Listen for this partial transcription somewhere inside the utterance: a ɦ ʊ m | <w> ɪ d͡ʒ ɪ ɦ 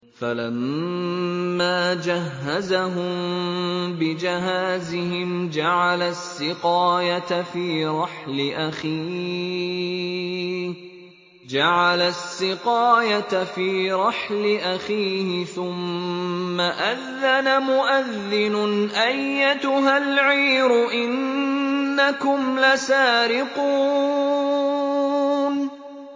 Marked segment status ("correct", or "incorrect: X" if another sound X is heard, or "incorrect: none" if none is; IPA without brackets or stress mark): incorrect: b